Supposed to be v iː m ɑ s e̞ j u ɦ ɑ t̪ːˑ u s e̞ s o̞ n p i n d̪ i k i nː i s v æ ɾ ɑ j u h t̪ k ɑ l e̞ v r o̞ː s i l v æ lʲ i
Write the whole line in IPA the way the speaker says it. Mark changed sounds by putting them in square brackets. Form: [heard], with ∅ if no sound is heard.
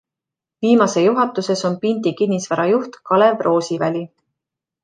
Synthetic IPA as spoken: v iː m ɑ s e̞ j u ɦ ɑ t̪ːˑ u s e̞ s o̞ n p i n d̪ i k i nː i s v æ ɾ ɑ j u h t̪ k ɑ l e̞ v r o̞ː s i [∅] v æ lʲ i